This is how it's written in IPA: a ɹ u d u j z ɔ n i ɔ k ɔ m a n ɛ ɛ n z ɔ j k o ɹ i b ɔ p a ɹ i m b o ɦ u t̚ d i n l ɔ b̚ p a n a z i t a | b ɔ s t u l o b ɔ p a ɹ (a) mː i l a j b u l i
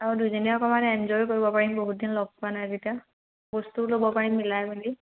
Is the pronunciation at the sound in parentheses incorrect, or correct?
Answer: incorrect: i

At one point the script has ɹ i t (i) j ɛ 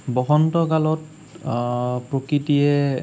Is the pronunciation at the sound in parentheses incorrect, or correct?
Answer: correct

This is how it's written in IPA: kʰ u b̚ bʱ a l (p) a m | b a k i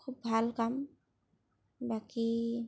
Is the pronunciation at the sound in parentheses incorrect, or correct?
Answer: incorrect: k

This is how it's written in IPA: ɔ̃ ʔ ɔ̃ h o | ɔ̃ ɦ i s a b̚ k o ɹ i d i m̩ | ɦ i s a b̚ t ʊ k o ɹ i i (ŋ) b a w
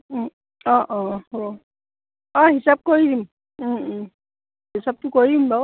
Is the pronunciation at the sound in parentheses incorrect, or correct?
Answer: incorrect: m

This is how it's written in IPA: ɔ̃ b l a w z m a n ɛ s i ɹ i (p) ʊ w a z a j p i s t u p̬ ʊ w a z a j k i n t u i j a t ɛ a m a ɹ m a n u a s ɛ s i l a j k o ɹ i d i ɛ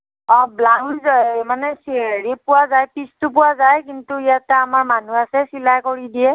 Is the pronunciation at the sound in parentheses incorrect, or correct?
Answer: correct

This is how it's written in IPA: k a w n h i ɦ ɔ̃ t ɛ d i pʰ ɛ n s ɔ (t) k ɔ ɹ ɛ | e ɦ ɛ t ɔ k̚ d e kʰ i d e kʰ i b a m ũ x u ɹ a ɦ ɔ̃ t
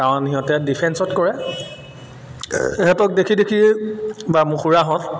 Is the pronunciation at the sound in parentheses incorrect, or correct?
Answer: correct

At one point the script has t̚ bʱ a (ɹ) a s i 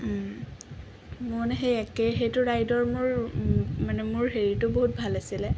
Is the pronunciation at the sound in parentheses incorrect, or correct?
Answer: incorrect: l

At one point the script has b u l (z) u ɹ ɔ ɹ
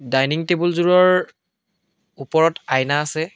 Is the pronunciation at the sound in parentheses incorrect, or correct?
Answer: correct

